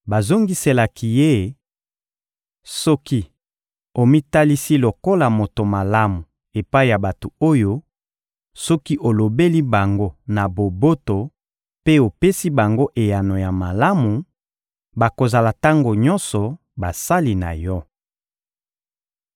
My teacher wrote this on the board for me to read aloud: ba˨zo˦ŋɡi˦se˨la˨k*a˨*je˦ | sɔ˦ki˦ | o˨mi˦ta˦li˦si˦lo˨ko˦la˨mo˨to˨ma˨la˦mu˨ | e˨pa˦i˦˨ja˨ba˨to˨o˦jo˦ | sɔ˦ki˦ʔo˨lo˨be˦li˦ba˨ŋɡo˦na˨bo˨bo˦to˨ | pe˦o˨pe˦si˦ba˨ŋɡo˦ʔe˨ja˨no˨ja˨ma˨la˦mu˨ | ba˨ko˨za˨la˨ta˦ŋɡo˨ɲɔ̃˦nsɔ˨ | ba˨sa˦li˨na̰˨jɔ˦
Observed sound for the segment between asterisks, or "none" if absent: i˨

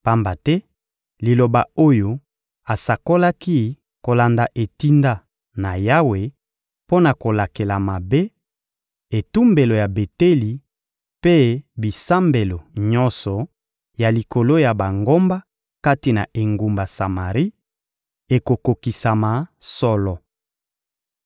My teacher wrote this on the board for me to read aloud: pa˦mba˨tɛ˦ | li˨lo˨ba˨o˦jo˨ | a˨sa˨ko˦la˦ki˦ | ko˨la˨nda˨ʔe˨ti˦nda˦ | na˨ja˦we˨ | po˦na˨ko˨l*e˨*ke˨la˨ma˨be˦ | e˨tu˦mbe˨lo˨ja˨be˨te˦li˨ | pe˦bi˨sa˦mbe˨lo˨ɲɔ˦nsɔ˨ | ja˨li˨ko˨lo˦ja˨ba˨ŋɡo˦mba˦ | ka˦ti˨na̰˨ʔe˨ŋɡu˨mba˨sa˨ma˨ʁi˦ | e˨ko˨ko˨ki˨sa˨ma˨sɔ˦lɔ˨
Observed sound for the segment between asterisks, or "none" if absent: a˨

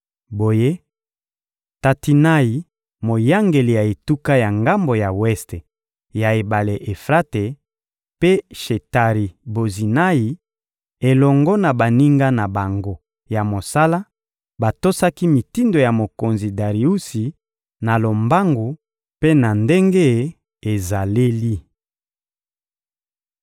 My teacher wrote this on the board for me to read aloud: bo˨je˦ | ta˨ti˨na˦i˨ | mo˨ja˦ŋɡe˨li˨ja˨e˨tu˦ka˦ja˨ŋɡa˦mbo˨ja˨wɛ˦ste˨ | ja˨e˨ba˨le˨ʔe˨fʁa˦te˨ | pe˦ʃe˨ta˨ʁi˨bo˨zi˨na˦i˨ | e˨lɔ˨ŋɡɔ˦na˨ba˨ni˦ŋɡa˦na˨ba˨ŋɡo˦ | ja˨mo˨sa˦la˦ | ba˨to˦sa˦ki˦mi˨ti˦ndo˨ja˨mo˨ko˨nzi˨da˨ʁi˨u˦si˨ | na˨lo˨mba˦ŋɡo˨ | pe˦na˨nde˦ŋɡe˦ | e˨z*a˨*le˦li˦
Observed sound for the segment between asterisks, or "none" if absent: a˨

